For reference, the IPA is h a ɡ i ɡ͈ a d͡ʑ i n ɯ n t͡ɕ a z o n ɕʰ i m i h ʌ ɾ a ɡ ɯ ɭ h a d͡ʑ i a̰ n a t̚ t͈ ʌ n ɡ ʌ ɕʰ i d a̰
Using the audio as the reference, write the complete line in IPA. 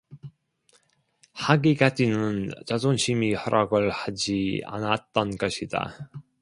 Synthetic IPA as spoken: h a ɡ i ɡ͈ a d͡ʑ i n ɯ n t͡ɕ a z o n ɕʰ i m i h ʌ ɾ a ɡ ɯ ɭ h a d͡ʑ i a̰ n a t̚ t͈ ʌ n ɡ ʌ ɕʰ i d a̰